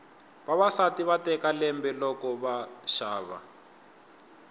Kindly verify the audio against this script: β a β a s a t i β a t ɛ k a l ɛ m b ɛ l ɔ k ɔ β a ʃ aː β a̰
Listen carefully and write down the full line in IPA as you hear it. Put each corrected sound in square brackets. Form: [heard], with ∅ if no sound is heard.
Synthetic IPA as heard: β a β a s a t i β a t ɛ k a l ɛ m b ɛ l ɔ k ɔ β a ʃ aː β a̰